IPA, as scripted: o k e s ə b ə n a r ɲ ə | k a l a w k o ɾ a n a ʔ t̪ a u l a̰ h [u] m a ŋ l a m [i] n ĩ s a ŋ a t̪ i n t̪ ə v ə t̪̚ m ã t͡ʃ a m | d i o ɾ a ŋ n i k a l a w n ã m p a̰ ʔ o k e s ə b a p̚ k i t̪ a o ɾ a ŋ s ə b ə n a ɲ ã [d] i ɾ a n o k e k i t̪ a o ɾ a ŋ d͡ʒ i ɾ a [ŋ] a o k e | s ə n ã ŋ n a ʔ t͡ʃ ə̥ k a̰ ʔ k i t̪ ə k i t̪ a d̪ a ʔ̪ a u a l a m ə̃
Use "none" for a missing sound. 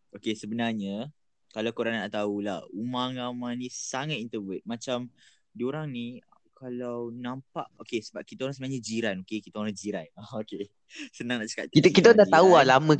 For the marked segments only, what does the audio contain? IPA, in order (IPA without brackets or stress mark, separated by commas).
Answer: u, a, d͡ʒ, n